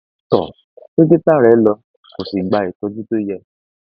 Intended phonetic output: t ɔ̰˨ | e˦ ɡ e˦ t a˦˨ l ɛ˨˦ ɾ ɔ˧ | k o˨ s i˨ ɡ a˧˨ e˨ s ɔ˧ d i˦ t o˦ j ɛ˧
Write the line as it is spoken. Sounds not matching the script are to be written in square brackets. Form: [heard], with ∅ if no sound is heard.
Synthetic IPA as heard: t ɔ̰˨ | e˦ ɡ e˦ t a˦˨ [ɾ] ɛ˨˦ [l] ɔ˧ | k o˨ s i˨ [ɡ͡b] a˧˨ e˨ [t] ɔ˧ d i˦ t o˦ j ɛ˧